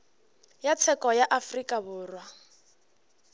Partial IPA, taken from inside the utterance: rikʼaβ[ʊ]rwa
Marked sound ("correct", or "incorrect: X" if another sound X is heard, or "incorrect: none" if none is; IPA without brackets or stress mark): incorrect: ʊː